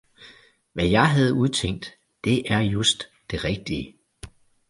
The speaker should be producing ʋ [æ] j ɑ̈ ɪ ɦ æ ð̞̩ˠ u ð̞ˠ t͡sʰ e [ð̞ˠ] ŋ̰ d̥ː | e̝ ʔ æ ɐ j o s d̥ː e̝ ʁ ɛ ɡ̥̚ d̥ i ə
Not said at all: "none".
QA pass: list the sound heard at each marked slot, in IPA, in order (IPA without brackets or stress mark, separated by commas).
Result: æ, none